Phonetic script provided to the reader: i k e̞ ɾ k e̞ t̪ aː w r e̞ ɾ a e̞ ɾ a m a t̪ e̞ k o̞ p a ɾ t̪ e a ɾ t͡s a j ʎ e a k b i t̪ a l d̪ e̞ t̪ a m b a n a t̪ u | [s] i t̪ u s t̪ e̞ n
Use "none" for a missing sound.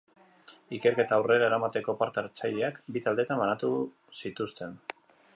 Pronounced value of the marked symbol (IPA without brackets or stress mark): s